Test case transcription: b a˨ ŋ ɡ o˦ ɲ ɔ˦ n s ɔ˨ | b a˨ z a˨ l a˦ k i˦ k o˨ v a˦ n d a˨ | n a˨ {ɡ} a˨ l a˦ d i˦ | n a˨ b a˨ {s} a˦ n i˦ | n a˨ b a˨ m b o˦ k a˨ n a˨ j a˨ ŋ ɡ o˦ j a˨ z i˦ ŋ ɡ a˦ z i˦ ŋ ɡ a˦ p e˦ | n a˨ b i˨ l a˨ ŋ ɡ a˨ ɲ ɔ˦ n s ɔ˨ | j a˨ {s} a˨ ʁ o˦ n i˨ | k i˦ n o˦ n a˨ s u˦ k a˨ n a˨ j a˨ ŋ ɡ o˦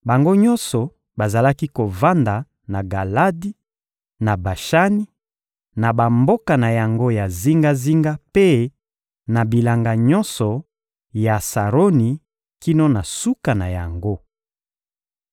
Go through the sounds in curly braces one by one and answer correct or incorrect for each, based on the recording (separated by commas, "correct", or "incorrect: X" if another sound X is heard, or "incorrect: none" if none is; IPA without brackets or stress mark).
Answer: correct, incorrect: ʃ, correct